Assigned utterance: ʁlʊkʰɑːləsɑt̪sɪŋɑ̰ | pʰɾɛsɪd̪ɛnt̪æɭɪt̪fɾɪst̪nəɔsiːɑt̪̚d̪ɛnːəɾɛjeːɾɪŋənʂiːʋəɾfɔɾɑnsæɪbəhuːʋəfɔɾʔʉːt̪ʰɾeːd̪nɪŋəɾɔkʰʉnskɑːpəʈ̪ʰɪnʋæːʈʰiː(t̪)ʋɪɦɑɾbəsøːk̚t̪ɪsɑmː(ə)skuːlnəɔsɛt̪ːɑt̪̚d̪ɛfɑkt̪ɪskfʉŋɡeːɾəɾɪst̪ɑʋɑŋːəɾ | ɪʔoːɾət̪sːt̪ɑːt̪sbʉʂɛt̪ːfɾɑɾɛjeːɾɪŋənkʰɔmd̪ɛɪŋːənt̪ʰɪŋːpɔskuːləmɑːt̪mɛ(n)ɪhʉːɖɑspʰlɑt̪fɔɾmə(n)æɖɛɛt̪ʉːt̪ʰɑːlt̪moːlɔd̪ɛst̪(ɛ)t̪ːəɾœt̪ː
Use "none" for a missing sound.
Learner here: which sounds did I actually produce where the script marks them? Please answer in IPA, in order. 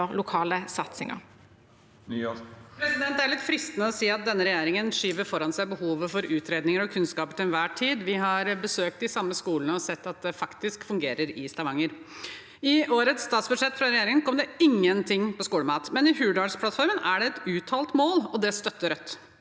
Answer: d̪, ə, n, n, œ

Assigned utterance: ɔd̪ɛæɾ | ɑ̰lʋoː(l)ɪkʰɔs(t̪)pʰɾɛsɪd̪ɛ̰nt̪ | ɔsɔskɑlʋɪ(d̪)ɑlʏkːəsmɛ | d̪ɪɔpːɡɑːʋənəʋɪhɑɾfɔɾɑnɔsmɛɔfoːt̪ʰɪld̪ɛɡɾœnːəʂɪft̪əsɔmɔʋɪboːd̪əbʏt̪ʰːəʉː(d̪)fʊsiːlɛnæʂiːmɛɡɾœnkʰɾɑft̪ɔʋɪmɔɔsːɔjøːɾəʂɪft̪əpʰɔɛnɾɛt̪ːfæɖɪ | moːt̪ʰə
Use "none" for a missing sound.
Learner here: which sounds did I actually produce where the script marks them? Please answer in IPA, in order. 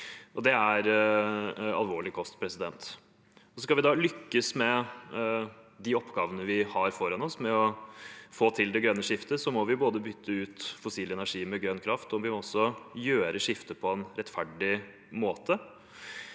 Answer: ɭ, t̪, d̪, t̪

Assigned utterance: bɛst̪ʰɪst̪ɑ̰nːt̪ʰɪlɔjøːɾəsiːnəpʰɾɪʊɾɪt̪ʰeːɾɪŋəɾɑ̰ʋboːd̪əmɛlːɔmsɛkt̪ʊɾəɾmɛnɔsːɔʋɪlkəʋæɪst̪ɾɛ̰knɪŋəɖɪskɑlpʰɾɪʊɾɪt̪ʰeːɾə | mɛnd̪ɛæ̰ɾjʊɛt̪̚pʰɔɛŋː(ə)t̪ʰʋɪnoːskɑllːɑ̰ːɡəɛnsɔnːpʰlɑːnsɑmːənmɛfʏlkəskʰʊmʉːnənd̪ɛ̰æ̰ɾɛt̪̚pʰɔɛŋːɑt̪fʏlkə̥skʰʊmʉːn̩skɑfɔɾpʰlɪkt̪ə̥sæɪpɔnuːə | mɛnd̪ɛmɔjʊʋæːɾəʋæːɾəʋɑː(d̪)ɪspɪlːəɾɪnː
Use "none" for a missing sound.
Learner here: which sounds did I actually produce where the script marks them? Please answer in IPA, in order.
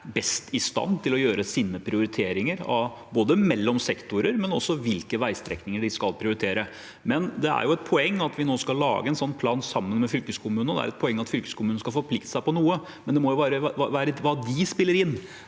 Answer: ɑ, d̪

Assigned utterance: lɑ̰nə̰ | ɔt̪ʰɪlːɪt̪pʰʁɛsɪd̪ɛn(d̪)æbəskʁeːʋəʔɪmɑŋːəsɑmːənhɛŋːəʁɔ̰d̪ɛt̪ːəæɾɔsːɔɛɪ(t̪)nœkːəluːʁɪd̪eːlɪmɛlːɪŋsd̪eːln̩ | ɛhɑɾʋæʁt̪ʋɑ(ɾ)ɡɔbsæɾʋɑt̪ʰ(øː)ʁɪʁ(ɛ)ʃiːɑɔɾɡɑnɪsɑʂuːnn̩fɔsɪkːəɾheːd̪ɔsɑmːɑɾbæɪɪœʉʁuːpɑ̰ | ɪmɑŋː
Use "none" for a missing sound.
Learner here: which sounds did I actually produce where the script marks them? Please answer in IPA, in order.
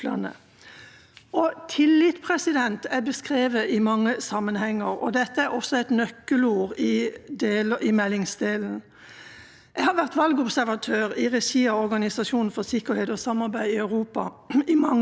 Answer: t̪, t̪, l, øː, ɛ

